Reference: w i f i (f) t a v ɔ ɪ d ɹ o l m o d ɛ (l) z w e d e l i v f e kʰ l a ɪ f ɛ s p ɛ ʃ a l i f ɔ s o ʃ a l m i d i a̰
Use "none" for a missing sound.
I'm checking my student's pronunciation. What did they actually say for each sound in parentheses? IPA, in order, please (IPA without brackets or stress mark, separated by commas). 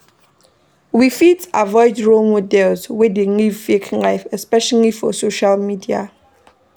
none, l